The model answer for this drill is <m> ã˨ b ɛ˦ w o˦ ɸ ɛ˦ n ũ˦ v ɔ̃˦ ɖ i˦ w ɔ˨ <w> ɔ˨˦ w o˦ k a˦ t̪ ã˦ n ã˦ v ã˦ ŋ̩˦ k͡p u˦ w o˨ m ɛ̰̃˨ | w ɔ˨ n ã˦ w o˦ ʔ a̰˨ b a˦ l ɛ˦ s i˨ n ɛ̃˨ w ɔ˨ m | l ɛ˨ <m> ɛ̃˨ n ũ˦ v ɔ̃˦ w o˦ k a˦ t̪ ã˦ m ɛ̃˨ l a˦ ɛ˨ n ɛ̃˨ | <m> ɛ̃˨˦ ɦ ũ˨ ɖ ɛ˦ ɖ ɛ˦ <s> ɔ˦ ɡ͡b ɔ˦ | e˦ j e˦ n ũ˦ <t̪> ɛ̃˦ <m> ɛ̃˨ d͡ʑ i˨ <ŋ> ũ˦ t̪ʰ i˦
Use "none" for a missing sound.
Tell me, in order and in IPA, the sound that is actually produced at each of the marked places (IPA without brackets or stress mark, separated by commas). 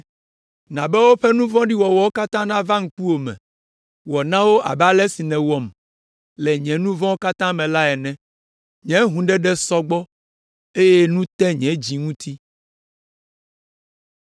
n, w, ɲ, ɲ, s, t̪, ɲ, ŋ